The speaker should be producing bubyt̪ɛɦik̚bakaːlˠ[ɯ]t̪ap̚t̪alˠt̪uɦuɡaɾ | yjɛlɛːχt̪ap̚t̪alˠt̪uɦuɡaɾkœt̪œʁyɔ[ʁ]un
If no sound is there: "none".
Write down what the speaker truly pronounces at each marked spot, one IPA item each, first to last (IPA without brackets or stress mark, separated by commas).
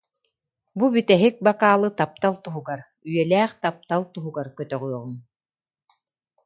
ɯ, ʁ